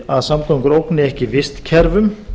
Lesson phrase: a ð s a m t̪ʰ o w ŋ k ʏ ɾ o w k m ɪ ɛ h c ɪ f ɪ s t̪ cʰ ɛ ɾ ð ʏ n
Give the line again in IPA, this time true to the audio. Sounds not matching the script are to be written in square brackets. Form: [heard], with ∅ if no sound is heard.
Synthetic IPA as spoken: a ð s a m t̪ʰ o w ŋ k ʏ ɾ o w k [n] ɪ ɛ h c ɪ [v] ɪ s t̪ cʰ ɛ ɾ [v] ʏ [m]